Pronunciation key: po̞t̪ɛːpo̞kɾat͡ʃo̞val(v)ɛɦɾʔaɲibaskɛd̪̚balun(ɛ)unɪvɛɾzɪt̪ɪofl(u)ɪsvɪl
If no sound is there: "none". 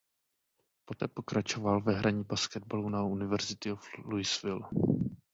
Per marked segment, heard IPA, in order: v, a, u

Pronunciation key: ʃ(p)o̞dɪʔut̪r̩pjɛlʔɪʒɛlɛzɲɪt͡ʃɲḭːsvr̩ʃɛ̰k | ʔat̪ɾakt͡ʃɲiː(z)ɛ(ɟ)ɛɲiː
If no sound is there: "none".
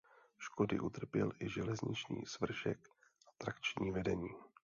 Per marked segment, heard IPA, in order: k, v, d

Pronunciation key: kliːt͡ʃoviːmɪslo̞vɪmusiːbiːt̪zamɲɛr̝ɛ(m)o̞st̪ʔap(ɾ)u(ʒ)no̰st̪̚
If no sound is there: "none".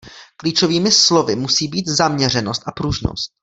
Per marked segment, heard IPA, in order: n, ɾ, ʒ

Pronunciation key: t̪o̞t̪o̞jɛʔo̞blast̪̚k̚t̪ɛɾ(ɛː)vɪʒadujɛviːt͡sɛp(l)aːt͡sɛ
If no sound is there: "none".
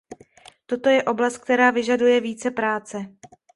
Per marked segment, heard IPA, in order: aː, ɾ

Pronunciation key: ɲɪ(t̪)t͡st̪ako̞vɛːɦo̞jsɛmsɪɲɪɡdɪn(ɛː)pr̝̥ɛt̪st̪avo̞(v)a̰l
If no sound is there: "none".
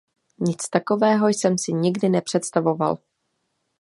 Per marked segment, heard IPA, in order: none, ɛ, v

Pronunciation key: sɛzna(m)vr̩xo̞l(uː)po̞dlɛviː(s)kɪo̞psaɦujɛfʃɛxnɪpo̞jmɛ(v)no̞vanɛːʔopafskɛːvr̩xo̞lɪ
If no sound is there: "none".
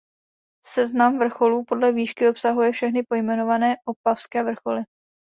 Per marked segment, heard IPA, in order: m, uː, ʃ, none

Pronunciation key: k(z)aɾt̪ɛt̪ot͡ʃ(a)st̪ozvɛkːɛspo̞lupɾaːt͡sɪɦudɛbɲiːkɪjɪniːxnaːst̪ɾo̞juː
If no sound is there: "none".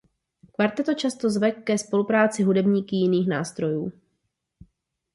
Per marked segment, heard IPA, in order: v, a

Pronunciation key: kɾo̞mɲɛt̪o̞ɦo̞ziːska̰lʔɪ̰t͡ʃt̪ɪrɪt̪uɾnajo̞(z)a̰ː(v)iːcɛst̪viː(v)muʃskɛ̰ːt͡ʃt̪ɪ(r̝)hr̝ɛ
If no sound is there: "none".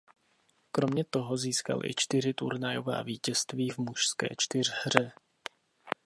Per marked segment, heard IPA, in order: v, v, v, r̝

